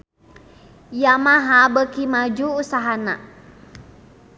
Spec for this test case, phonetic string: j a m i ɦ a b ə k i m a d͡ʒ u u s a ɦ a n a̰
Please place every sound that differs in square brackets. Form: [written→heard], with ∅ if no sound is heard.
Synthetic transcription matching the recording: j a m [i→a] ɦ a b ə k i m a d͡ʒ u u s a ɦ a n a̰